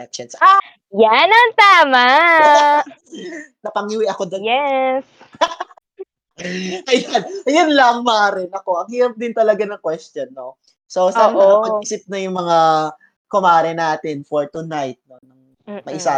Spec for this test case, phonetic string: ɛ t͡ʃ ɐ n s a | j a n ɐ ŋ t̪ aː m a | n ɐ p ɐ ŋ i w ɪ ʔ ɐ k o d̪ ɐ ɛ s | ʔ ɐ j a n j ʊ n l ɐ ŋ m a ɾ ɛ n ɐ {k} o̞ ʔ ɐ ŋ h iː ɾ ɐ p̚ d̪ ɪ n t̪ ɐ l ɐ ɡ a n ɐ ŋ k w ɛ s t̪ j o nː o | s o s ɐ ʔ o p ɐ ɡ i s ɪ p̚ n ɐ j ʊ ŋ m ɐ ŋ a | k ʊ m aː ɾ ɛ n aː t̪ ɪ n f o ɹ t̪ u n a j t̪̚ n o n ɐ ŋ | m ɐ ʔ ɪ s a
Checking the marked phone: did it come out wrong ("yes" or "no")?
no